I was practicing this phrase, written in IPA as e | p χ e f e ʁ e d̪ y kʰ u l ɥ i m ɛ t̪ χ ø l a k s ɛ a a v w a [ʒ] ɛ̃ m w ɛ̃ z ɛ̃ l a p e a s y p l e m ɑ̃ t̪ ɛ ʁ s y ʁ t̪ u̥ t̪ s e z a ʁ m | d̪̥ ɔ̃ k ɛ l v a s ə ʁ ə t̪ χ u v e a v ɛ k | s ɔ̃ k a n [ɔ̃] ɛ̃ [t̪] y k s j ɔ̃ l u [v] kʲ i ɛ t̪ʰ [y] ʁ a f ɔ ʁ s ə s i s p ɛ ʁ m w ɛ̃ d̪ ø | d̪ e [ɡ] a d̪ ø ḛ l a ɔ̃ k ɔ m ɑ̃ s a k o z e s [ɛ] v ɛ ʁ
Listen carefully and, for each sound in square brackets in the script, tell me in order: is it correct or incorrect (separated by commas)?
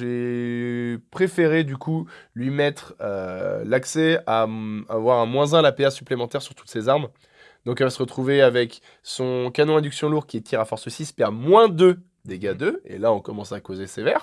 incorrect, correct, incorrect, incorrect, incorrect, correct, incorrect